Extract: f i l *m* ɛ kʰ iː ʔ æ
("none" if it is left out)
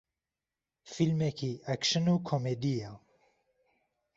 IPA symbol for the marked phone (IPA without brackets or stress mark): m